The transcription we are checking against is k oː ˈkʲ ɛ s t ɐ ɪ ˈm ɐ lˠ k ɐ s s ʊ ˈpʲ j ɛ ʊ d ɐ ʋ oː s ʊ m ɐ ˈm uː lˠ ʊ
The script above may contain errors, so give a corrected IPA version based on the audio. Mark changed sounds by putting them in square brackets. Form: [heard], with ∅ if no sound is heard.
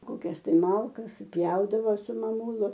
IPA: k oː ˈkʲ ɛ s t ɐ ɪ ˈm ɐ lˠ k ɐ s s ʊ ˈpʲ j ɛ ʊ d ɐ ʋ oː s ʊ m ɐ ˈm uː lˠ ʊ